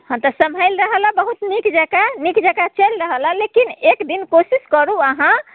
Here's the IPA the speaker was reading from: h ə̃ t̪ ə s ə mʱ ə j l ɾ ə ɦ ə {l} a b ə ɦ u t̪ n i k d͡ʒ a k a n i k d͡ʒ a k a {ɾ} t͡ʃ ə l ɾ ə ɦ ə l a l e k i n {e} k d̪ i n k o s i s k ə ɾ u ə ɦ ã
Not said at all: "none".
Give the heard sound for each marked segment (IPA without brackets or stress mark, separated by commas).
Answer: l, none, e